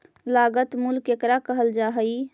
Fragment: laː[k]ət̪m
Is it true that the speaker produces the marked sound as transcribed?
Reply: no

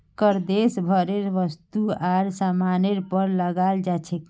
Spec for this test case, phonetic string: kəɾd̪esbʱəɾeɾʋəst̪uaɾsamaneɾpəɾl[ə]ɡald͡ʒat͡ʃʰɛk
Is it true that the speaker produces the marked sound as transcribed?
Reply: yes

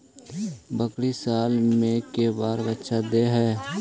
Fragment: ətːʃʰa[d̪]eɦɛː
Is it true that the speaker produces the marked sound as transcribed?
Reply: yes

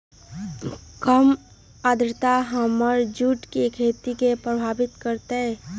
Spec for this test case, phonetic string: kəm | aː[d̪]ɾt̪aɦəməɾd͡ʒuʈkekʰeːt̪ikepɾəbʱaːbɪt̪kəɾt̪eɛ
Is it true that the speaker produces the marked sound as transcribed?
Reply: yes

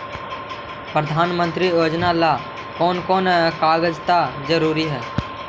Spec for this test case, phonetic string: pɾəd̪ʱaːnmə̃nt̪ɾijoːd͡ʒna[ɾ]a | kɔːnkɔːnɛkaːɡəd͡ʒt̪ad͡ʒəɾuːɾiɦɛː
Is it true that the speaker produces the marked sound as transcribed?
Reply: no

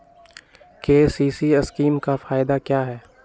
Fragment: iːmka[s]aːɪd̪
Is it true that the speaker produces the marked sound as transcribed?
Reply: no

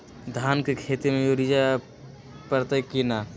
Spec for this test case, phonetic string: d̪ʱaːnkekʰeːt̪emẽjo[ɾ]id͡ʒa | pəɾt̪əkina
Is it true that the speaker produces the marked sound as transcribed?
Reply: yes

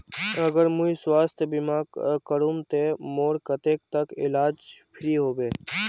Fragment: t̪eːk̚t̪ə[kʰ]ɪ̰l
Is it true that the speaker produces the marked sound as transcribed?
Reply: no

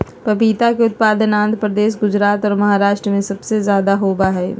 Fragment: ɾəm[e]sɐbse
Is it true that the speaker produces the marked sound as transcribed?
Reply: no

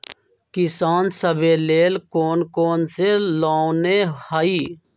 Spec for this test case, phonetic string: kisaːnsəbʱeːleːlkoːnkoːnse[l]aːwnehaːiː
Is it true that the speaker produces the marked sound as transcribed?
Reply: yes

